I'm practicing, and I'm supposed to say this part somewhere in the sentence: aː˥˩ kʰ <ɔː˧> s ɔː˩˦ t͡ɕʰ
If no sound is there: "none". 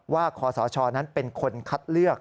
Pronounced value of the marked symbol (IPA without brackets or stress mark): ɔː˩˦